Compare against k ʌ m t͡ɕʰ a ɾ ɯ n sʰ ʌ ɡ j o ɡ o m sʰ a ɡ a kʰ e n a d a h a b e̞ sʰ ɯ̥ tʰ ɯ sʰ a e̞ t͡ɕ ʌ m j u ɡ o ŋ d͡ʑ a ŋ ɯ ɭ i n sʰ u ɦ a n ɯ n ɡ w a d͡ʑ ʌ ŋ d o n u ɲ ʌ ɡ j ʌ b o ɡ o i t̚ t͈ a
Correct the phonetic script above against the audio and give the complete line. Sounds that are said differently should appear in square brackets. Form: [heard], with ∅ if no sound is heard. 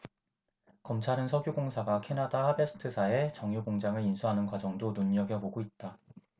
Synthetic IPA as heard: k ʌ m t͡ɕʰ a ɾ ɯ n sʰ ʌ ɡ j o ɡ o [ŋ] sʰ a ɡ a kʰ e n a d a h a b e̞ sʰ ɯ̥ tʰ ɯ sʰ a e̞ t͡ɕ ʌ [ŋ] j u ɡ o ŋ d͡ʑ a ŋ ɯ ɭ i n sʰ u ɦ a n ɯ n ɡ w a d͡ʑ ʌ ŋ d o n u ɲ ʌ ɡ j ʌ b o ɡ o i t̚ t͈ a